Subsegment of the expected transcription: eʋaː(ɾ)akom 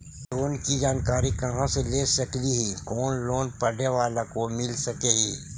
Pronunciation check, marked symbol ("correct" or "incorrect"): incorrect